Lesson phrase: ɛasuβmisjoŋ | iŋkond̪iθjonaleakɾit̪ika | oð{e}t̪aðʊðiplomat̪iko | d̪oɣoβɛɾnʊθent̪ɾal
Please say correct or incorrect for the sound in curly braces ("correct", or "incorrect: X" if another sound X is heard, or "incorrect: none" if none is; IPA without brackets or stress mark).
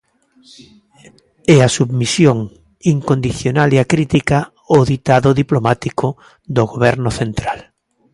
incorrect: i